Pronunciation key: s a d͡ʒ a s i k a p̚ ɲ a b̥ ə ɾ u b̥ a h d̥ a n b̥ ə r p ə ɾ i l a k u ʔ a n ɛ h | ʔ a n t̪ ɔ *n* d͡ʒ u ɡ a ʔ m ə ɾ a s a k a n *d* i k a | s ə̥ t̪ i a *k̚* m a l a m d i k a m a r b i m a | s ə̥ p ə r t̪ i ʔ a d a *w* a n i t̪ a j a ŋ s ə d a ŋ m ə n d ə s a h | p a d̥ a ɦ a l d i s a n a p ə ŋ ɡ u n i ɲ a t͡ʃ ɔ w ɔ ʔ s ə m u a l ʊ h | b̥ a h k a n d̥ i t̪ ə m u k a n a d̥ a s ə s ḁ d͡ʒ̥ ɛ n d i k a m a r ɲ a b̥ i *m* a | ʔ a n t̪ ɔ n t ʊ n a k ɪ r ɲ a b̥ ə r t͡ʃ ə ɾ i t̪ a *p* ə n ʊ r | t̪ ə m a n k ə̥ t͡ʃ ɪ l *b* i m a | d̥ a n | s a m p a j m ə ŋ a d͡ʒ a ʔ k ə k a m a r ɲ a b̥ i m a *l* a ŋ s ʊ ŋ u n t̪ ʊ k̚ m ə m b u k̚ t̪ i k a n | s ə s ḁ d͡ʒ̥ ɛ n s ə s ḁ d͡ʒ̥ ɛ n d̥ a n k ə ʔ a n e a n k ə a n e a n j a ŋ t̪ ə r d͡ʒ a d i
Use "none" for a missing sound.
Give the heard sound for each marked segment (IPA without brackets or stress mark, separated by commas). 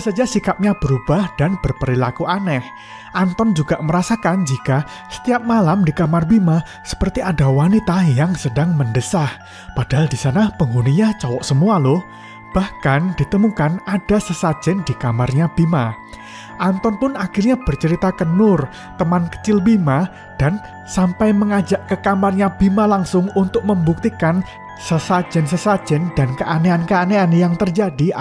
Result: n, d͡ʒ, p̚, w, m, k, b, l